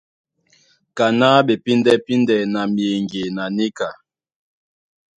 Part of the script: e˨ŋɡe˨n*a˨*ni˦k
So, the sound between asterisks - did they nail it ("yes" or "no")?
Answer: yes